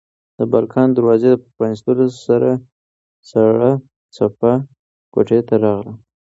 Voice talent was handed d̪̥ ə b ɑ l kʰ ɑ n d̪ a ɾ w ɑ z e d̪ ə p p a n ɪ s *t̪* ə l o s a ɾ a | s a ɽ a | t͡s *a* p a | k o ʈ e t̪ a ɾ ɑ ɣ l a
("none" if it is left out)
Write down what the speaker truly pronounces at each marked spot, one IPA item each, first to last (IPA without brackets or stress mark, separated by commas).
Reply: t̪, a